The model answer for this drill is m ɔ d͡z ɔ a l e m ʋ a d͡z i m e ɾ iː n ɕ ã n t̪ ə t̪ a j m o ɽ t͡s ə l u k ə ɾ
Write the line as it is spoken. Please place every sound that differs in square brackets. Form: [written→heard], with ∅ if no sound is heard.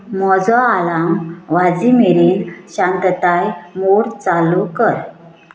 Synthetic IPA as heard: m ɔ d͡z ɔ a l [e→a] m ʋ a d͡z i m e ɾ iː n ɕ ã n t̪ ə t̪ a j m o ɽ t͡s [ə→a] l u k ə ɾ

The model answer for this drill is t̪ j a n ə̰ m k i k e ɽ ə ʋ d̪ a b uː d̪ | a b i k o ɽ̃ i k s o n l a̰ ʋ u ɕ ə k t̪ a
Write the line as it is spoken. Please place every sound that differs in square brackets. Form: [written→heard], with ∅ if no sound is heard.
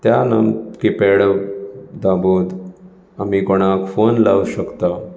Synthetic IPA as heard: t̪ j a n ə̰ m k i [k→p] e ɽ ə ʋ d̪ a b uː d̪ | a [b→m] i k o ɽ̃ [i→a] k [s→f] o n l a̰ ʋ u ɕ ə k t̪ a

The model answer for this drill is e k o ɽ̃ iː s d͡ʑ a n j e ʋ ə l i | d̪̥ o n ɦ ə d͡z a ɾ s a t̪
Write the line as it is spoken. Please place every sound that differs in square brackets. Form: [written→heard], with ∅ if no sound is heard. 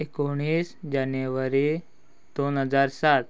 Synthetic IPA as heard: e k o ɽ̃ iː s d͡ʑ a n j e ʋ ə [l→ɾ] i | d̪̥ o n ɦ ə d͡z a ɾ s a t̪

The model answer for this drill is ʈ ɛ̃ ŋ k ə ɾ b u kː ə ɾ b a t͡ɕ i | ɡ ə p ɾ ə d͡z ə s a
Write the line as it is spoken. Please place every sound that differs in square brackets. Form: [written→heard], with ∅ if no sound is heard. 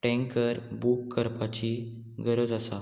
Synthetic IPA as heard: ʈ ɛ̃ ŋ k ə ɾ b u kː ə ɾ [b→p] a t͡ɕ i | ɡ ə [p→∅] ɾ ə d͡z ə s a

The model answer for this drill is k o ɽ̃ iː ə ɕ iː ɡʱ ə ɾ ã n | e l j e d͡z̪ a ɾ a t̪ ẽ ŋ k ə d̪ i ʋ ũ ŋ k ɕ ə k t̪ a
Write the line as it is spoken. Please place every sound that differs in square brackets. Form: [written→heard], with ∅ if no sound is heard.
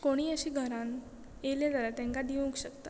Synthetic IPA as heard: k o ɽ̃ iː ə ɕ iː ɡʱ ə ɾ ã n | e l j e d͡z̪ a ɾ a t̪ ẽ ŋ k [ə→a] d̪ i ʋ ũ ŋ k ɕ ə k t̪ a

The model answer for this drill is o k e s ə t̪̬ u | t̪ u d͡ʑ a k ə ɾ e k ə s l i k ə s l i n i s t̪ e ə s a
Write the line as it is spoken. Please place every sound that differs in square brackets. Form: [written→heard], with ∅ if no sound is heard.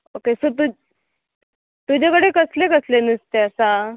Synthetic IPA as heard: o k e s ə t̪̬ u | t̪ u d͡ʑ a k ə [ɾ→ɽ] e k ə s l [i→e] k ə s l [i→e] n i s t̪ e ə s a

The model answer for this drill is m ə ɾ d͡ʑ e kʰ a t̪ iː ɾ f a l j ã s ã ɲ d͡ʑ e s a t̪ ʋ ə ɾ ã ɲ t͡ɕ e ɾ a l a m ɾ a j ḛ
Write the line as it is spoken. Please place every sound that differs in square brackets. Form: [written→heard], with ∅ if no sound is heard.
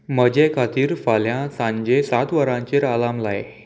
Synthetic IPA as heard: m ə [ɾ→∅] d͡ʑ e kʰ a t̪ iː ɾ f a l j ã s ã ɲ d͡ʑ e s a t̪ ʋ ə ɾ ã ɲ t͡ɕ e ɾ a l a m [ɾ→l] a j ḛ

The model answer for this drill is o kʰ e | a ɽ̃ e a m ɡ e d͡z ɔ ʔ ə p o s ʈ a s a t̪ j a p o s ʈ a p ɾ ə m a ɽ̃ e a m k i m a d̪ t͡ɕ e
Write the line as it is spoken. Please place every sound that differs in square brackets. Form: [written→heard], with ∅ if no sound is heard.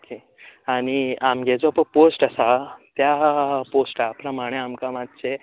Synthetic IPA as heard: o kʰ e | a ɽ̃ [e→i] a m ɡ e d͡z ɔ [ʔ→p] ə p o s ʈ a s a t̪ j a p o s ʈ a p ɾ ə m a ɽ̃ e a m k [i→a] m a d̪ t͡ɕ e

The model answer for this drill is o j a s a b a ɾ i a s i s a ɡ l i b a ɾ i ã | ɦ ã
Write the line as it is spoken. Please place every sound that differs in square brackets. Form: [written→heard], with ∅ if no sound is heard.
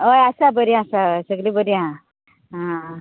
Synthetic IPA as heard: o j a s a b [a→ə] ɾ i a s [i→a] s [a→ə] ɡ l i b [a→ə] ɾ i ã | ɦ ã

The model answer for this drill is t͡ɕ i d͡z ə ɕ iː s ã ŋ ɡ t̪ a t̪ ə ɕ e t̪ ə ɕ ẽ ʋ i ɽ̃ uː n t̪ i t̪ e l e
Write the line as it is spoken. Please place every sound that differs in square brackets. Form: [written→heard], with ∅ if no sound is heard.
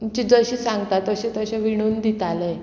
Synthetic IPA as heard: t͡ɕ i d͡z ə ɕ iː s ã ŋ ɡ t̪ a t̪ ə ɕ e t̪ ə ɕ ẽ ʋ i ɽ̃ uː n [t̪→d̪] i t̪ [e→a] l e

